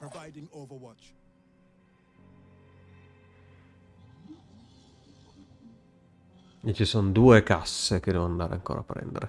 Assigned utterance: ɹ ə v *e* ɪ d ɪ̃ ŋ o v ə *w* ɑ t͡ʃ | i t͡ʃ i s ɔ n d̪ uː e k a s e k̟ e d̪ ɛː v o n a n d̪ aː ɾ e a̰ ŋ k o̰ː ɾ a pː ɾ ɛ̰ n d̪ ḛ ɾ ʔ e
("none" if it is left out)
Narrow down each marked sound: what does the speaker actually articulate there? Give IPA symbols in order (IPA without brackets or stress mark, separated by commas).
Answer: a, w